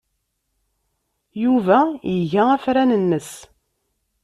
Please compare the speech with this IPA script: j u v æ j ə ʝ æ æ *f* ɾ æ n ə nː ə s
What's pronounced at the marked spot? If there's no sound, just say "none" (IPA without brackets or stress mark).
f